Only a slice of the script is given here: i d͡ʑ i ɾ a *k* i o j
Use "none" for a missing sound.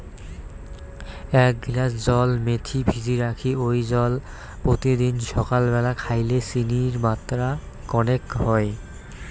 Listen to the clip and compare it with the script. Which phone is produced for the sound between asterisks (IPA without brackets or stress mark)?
kʰ